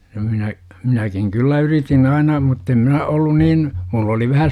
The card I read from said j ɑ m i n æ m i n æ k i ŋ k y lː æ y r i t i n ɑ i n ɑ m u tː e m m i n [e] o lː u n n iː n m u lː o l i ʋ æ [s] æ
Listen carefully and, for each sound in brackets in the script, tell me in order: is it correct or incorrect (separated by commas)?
incorrect, incorrect